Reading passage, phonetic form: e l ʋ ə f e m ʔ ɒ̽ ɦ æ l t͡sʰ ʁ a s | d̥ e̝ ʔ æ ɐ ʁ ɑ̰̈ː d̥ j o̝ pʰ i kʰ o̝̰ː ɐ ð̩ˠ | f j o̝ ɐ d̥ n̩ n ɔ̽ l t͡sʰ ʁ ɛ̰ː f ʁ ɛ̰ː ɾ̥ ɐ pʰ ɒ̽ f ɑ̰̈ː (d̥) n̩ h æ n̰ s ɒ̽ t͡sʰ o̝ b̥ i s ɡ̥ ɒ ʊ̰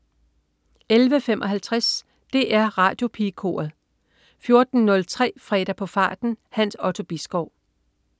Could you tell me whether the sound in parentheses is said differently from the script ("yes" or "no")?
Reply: no